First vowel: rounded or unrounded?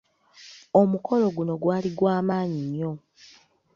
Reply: rounded